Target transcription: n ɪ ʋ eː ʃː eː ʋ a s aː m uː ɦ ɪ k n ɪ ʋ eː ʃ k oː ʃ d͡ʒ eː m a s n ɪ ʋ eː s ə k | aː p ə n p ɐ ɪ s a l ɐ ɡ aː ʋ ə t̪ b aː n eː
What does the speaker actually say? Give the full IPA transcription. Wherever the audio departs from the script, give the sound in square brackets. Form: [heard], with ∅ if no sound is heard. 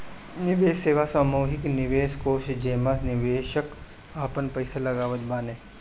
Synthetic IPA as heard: n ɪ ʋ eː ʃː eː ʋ a s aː m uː ɦ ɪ k n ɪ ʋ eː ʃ k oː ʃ d͡ʒ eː m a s n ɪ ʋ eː [ʃ] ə k | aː p ə n p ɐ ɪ s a l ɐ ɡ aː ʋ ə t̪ b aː n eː